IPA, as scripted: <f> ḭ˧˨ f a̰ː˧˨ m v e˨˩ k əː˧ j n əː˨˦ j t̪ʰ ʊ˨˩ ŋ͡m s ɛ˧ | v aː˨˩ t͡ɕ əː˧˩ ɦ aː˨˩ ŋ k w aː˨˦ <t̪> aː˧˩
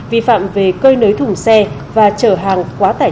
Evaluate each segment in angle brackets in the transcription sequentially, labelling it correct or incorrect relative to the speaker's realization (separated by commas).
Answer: incorrect, correct